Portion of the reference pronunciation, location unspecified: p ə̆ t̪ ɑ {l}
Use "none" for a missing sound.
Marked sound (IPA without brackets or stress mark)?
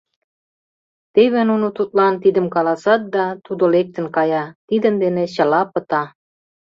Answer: none